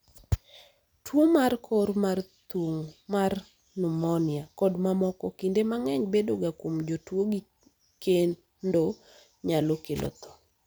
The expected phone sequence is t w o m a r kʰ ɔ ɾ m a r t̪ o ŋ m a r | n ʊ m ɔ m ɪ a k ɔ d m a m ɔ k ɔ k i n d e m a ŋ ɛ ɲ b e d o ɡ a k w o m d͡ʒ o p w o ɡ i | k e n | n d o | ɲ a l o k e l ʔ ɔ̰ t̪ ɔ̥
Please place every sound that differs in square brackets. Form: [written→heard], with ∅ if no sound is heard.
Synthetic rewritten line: t w o m a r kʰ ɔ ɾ m a r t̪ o ŋ m a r | n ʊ m ɔ [m→n] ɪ a k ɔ d m a m ɔ k ɔ k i n d e m a ŋ ɛ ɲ b e d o ɡ a k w o m d͡ʒ o [p→t] w o ɡ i | k e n | n d o | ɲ a l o k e l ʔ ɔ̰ t̪ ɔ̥

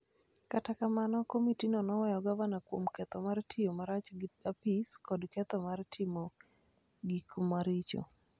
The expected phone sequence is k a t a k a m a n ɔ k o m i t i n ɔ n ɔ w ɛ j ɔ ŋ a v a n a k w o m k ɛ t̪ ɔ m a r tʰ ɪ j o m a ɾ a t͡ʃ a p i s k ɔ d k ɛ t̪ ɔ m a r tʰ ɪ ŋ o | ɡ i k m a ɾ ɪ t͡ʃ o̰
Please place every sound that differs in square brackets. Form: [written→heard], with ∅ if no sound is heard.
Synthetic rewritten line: k a t a k a m a n ɔ k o m i t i n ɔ n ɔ w ɛ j ɔ [ŋ→ɡ] a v a n a k w o m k ɛ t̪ ɔ m a r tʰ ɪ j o m a ɾ a t͡ʃ a p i s k ɔ d k ɛ t̪ ɔ m a r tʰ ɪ [ŋ→m] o | ɡ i k m a ɾ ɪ t͡ʃ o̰

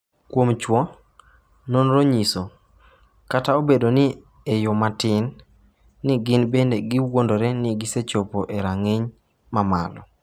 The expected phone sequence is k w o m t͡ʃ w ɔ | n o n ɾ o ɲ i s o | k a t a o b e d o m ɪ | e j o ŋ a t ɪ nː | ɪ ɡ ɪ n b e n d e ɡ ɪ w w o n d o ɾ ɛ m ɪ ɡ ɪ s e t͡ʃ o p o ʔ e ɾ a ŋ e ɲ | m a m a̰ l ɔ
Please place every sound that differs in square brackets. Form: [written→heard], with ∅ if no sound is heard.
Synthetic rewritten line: k w o m t͡ʃ w ɔ | n o n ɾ o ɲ i s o | k a t a o b e d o [m→n] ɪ | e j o [ŋ→m] a t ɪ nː | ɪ ɡ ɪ n b e n d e ɡ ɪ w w o n d o ɾ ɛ [m→n] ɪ ɡ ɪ s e t͡ʃ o p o ʔ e ɾ a ŋ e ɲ | m a m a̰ l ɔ

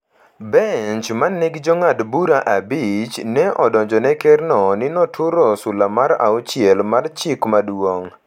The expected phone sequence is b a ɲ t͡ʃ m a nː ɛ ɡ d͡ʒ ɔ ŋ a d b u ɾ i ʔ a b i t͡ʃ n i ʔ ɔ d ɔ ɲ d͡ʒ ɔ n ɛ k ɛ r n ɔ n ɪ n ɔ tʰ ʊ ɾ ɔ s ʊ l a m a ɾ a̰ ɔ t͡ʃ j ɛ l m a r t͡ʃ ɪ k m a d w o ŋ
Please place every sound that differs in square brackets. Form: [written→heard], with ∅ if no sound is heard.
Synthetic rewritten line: b [a→ɛ] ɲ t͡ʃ m a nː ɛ ɡ d͡ʒ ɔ ŋ a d b u ɾ [i→a] ʔ a b i t͡ʃ n [i→ɛ] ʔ ɔ d ɔ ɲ d͡ʒ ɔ n ɛ k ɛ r n ɔ n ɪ n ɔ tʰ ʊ ɾ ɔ s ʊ l a m a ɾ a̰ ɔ t͡ʃ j ɛ l m a r t͡ʃ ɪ k m a d w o ŋ

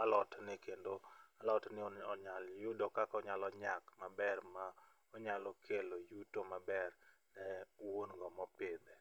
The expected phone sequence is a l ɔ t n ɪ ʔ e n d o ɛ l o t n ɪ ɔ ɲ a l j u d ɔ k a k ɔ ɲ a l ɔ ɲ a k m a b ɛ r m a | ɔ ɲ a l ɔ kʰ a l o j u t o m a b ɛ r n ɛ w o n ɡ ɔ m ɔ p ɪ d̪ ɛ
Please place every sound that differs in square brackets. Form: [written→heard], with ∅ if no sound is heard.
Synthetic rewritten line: a l ɔ t n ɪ [ʔ→k] e n d o [ɛ→a] l [o→ɔ] t n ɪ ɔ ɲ a l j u d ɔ k a k ɔ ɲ a l ɔ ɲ a k m a b ɛ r m a | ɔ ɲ a l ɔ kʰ [a→e] l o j u t o m a b ɛ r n ɛ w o n ɡ ɔ m ɔ p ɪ d̪ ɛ

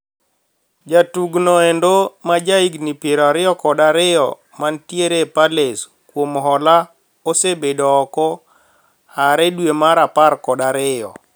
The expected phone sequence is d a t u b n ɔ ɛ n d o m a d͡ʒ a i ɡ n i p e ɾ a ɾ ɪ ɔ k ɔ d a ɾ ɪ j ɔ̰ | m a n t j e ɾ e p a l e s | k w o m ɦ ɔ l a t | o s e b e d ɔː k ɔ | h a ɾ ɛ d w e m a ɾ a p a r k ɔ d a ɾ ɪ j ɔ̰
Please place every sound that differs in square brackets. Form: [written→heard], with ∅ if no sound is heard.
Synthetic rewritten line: [d→d͡ʒ] a t u [b→ɡ] n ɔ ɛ n d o m a d͡ʒ a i ɡ n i p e ɾ a ɾ ɪ ɔ k ɔ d a ɾ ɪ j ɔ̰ | m a n t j e ɾ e p a l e s | k w o m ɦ ɔ l a [t→∅] | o s e b e d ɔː k ɔ | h a ɾ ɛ d w e m a ɾ a p a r k ɔ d a ɾ ɪ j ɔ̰

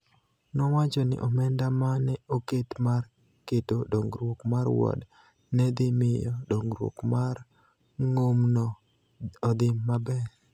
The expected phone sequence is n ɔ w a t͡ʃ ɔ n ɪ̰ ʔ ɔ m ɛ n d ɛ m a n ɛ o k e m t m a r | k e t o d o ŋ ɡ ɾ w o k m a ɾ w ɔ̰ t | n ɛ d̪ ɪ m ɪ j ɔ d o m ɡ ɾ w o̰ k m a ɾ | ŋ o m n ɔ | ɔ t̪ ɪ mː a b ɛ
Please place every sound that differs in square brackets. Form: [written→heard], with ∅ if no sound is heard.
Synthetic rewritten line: n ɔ w a t͡ʃ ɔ n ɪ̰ ʔ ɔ m ɛ n d [ɛ→a] m a n ɛ o k e [m→∅] t m a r | k e t o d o ŋ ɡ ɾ w o k m a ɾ w ɔ̰ [t→d] | n ɛ d̪ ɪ m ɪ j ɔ d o [m→ŋ] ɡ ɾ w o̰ k m a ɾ | ŋ o m n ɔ | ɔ [t̪→d̪] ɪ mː a b ɛ

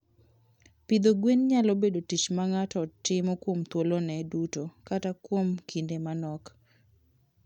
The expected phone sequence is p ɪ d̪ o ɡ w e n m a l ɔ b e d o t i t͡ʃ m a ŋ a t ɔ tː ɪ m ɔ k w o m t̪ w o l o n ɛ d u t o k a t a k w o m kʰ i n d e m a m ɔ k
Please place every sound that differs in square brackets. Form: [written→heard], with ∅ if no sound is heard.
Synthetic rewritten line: p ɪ d̪ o ɡ w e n [m→ɲ] a l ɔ b e d o t i t͡ʃ m a ŋ a t ɔ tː ɪ m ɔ k w o m t̪ w o l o n ɛ d u t o k a t a k w o m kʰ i n d e m a [m→n] ɔ k

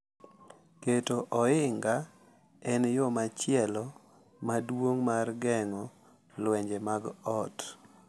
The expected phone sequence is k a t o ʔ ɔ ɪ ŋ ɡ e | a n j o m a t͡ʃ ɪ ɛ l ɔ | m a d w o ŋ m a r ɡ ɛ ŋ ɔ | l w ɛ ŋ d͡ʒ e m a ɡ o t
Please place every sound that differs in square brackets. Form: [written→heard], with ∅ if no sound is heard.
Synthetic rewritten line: k [a→e] t o ʔ ɔ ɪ ŋ ɡ [e→a] | [a→ɛ] n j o m a t͡ʃ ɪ ɛ l ɔ | m a d w o ŋ m a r ɡ ɛ ŋ ɔ | l w ɛ [ŋ→ɲ] d͡ʒ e m a ɡ [o→ɔ] t

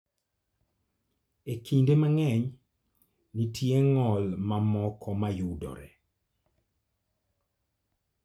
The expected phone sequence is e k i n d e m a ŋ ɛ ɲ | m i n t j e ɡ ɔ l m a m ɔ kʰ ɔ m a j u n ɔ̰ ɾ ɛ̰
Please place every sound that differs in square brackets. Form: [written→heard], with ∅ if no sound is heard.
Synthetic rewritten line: e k i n d e m a ŋ ɛ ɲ | [m→n] i [n→∅] t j e [ɡ→ŋ] ɔ l m a m ɔ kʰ ɔ m a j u [n→d] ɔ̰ ɾ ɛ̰

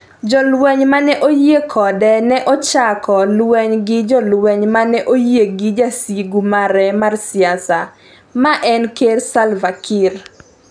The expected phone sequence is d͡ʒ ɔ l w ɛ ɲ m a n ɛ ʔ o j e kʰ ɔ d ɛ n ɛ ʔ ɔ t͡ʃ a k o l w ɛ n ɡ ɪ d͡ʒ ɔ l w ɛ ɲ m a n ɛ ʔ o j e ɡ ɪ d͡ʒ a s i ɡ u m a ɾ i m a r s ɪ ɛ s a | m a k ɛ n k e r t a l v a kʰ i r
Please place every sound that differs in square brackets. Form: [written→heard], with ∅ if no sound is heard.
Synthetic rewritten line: d͡ʒ ɔ l w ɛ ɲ m a n ɛ ʔ o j e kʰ ɔ d ɛ n ɛ ʔ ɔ t͡ʃ a k [o→ɔ] l w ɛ [n→ɲ] ɡ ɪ d͡ʒ ɔ l w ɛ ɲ m a n ɛ ʔ o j e ɡ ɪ d͡ʒ a s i ɡ u m a ɾ [i→ɛ] m a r s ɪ [ɛ→a] s a | m a [k→ʔ] ɛ n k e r [t→s] a l v a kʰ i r

